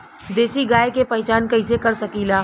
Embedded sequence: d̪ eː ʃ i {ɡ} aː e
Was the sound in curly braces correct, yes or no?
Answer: yes